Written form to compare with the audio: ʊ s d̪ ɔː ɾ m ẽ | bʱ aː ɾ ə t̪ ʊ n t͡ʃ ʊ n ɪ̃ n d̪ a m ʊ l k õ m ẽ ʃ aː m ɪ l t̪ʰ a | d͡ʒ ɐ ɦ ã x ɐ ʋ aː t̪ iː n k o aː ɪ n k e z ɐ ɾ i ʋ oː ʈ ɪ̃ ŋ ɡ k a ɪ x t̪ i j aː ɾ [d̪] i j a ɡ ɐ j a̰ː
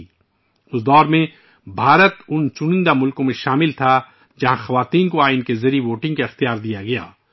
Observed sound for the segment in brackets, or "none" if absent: d̪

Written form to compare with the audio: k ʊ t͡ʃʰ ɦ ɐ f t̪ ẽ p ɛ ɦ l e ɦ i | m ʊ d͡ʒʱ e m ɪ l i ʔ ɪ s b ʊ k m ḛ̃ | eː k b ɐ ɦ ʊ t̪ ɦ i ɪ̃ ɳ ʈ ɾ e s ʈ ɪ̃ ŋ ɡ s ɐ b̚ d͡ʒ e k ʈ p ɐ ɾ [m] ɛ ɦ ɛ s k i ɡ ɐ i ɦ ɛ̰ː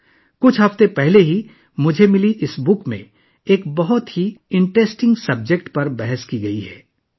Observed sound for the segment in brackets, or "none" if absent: b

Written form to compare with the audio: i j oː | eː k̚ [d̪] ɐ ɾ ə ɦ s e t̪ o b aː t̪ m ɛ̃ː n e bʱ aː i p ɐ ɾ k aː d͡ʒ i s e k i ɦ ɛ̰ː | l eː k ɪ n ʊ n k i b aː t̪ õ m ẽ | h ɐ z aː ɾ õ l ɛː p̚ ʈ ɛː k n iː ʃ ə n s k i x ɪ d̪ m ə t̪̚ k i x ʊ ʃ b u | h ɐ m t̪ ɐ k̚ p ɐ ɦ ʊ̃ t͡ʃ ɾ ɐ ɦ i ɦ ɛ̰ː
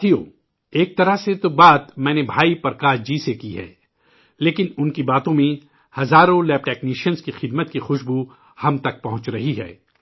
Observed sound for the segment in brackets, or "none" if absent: t̪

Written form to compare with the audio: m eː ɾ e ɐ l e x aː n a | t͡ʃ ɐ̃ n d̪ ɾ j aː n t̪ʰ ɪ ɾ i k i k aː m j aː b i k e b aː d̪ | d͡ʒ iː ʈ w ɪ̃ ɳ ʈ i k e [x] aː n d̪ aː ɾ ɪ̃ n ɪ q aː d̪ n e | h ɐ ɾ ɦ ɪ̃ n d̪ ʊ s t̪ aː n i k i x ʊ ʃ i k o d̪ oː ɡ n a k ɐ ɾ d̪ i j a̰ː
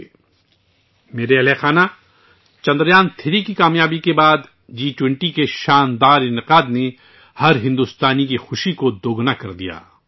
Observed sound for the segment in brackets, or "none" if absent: ʃ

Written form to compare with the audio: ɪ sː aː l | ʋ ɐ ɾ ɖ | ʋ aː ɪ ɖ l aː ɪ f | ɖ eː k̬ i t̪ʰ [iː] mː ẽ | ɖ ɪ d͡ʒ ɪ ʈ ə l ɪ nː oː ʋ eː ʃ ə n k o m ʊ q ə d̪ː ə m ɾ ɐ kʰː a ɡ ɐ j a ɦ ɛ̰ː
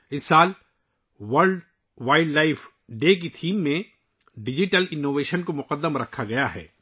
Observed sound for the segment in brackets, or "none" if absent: iː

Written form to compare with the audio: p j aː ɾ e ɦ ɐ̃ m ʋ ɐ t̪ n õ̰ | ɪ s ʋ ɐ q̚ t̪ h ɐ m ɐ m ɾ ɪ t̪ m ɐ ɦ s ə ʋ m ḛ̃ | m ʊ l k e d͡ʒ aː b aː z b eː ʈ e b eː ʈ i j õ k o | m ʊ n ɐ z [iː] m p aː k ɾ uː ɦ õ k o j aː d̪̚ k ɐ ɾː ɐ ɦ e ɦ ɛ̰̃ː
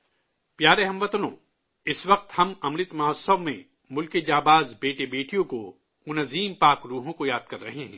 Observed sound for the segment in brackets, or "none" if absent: iː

